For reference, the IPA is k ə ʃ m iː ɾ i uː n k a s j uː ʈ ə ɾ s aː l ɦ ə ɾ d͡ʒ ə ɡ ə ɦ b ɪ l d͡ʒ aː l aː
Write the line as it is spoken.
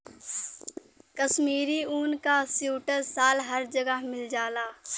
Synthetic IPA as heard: k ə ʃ m iː ɾ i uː n k a s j uː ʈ ə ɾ s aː l ɦ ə ɾ d͡ʒ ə ɡ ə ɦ m ɪ l d͡ʒ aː l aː